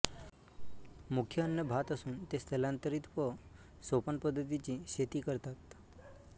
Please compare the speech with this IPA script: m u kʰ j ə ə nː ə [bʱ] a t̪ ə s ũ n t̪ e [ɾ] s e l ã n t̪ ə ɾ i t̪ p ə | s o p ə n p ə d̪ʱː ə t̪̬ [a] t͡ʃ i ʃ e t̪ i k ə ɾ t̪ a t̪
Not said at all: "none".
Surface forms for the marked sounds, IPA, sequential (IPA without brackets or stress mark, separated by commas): bʱ, none, i